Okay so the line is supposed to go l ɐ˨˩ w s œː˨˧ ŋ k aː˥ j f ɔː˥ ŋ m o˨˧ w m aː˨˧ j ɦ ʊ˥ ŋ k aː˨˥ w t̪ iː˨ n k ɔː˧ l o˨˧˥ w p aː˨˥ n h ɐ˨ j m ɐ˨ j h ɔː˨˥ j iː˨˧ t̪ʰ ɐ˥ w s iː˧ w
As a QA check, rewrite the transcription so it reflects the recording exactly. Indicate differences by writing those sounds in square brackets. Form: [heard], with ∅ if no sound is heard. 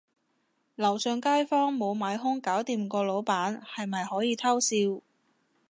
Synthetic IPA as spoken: l ɐ˨˩ w s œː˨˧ ŋ k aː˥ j f ɔː˥ ŋ m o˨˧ w m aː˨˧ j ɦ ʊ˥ ŋ k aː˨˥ w t̪ iː˨ [m] k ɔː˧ l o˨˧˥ w p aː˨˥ n h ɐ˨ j m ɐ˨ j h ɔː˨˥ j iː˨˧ t̪ʰ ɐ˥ w s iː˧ w